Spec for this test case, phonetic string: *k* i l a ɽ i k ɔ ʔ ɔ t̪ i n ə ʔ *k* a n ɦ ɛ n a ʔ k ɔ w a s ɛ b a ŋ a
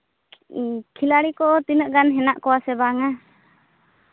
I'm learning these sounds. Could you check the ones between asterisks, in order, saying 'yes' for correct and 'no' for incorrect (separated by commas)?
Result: no, no